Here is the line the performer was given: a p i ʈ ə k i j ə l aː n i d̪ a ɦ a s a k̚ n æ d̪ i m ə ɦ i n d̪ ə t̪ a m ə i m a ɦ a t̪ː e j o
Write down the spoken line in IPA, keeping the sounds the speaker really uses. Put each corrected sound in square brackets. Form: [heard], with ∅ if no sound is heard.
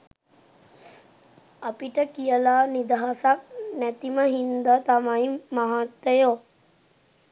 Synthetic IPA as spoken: a p i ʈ ə k i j ə l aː n i d̪ a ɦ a s a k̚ n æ [t̪] i m ə ɦ i n d̪ ə t̪ a m [a] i m a ɦ a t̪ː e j o